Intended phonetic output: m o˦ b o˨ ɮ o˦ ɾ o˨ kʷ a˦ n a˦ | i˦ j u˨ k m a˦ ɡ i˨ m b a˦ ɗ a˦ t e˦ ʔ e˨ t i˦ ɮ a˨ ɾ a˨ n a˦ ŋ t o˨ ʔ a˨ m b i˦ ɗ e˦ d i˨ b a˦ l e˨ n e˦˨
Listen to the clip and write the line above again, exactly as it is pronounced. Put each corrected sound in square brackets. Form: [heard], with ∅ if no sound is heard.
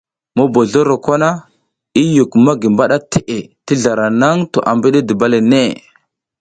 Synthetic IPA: m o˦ b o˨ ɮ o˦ ɾ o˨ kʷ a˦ n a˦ | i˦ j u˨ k m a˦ ɡ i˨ m b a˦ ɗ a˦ t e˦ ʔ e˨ t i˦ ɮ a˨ ɾ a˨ n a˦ ŋ t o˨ ʔ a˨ m b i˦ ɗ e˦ d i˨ b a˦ l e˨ n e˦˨